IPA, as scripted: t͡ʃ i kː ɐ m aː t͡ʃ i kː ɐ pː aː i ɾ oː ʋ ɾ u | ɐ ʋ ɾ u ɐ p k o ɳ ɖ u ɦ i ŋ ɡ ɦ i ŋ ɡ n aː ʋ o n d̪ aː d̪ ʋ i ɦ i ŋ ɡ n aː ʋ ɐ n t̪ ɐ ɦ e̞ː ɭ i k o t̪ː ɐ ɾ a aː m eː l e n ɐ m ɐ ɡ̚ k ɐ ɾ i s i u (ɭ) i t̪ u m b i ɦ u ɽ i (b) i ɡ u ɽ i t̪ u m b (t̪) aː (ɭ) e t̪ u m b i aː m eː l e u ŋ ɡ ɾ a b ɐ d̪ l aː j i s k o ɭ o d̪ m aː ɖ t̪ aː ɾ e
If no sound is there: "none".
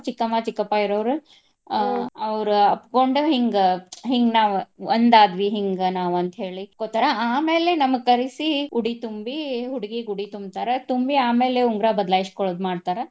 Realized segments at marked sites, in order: ɽ, ɡ, t̪, ɾ

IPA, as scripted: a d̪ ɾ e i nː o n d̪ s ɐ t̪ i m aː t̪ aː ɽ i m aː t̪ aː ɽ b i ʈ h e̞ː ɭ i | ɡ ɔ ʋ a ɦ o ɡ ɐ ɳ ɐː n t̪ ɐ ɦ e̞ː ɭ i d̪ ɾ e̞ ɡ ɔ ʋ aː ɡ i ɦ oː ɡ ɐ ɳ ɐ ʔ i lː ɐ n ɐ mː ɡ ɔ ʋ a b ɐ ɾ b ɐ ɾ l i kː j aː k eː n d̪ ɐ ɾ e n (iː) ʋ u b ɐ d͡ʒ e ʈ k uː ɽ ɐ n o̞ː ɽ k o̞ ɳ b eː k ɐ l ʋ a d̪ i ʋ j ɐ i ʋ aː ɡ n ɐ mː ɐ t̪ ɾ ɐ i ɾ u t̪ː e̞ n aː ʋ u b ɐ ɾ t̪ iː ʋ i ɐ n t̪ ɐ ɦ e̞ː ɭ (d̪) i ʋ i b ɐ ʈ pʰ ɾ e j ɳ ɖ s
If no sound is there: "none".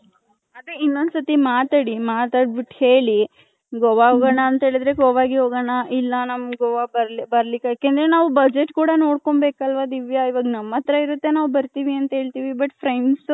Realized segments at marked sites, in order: aː, t̪

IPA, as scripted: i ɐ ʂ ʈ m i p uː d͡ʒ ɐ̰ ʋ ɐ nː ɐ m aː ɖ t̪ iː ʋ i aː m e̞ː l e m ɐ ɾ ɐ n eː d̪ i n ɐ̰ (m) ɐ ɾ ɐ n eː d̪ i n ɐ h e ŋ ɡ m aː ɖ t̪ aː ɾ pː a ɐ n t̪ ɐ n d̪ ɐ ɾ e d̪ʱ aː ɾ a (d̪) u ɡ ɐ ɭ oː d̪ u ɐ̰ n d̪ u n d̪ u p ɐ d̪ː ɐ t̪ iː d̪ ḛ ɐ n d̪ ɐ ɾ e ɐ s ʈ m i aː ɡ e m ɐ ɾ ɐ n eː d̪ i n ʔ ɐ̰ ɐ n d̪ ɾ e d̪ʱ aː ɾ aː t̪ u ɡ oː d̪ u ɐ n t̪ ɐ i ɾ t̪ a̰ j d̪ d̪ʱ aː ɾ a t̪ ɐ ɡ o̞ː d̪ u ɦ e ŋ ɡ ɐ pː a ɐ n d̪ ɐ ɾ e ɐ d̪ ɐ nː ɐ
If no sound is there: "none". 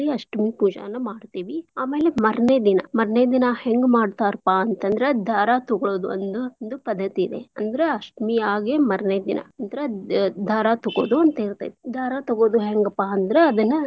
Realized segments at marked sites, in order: m, t̪

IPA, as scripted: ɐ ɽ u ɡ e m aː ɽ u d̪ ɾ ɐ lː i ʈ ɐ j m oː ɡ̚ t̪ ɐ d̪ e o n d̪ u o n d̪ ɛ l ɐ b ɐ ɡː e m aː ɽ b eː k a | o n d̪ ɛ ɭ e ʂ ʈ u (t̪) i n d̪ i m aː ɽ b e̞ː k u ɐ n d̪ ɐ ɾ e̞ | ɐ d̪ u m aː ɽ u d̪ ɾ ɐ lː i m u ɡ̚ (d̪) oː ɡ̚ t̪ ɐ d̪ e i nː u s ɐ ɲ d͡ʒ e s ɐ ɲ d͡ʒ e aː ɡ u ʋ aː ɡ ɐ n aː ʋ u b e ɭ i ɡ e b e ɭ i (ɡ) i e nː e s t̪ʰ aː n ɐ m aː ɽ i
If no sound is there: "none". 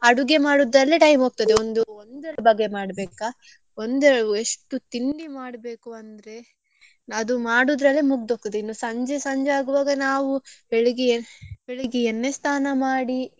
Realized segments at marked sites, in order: t̪, d̪, ɡ

